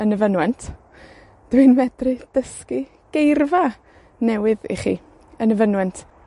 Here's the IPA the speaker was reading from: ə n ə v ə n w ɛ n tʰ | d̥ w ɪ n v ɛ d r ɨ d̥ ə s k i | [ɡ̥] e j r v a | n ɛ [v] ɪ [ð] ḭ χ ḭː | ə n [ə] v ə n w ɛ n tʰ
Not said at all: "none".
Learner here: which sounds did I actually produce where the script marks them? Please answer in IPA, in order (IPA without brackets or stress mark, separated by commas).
ɡ̥, w, ð, ə